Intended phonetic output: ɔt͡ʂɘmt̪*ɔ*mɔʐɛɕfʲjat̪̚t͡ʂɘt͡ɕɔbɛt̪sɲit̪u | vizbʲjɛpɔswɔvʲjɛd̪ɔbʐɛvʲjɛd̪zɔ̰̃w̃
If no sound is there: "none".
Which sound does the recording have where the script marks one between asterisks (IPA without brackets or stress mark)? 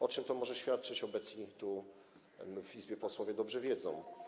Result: ɔ